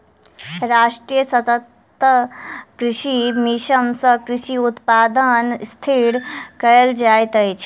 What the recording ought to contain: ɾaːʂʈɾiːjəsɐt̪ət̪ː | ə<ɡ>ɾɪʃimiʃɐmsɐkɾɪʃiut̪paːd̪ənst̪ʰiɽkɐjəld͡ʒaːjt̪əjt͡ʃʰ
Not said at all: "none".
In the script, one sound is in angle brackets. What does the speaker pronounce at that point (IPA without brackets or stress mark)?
k